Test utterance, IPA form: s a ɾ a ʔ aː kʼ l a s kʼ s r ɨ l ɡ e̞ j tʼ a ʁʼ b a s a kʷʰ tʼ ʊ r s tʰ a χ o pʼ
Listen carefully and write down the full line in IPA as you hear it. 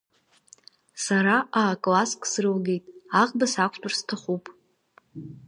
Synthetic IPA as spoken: s a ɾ a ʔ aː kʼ l a s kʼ s r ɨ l ɡ e̞ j tʼ a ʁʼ b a s a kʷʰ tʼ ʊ r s tʰ a χ u pʼ